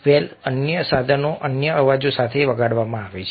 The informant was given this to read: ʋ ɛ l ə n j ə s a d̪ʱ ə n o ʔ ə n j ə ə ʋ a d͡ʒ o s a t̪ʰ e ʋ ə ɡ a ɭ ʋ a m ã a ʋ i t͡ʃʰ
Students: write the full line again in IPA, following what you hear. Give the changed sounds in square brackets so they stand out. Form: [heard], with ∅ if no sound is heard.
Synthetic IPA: ʋ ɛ l ə n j ə s a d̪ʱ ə n o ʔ ə n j ə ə ʋ a d͡ʒ o s a t̪ʰ e ʋ ə ɡ a [ɽ] ʋ a m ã a ʋ [e] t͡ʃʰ